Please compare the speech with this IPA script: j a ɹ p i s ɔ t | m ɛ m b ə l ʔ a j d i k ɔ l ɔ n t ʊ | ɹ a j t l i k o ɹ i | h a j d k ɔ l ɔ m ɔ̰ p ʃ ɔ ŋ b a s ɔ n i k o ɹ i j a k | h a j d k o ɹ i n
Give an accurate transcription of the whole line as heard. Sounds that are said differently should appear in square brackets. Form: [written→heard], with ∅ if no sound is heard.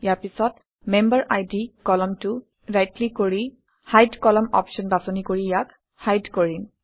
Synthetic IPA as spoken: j a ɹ p i s ɔ t | m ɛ m b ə [l→ɹ] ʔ a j d i k ɔ l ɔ [n→m] t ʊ | ɹ a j t l i k o ɹ i | h a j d k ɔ l ɔ m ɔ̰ p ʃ ɔ [ŋ→n] b a s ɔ n i k o ɹ i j a k | h a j d k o ɹ i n